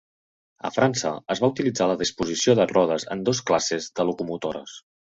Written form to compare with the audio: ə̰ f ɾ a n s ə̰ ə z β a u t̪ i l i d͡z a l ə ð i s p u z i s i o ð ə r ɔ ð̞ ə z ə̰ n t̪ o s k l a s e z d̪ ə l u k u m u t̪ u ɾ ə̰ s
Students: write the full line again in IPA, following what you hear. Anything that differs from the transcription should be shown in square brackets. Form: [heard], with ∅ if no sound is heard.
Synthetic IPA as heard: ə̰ f ɾ a n s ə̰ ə z β a u t̪ i l i d͡z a l ə ð i s p u z i s i o ð ə r ɔ ð̞ ə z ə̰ n [d̪] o s k l a s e z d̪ ə l u k u m u t̪ [o] ɾ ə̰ s